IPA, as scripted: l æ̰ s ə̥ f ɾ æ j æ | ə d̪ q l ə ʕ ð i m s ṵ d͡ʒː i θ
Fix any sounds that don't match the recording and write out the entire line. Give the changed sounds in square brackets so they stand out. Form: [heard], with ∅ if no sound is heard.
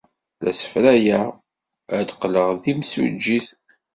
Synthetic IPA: l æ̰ s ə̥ f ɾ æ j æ | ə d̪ q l ə [ʁ] ð i m s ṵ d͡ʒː i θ